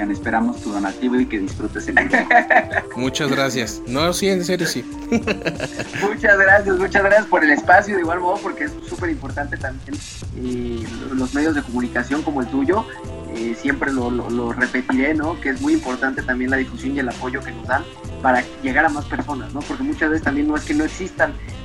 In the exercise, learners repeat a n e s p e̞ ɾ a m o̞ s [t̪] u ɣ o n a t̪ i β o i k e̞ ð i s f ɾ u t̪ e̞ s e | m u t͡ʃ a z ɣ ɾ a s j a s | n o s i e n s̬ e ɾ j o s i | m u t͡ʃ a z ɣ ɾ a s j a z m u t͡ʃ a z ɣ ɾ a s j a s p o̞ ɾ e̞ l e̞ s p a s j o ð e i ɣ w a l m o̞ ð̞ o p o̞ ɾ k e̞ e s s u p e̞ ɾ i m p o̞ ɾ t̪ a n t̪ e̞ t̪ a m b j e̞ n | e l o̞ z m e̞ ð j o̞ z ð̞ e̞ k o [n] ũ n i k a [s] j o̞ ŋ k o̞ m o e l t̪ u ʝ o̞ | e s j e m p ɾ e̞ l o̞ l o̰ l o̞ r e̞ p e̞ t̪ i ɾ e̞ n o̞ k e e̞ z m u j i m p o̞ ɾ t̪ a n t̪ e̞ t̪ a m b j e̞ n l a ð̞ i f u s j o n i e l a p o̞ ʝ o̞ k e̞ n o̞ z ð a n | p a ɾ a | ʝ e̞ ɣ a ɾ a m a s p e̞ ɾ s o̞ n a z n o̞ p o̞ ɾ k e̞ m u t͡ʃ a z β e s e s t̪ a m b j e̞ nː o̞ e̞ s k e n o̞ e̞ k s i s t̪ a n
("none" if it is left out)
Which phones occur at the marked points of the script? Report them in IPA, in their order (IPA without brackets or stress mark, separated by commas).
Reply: t̪, m, s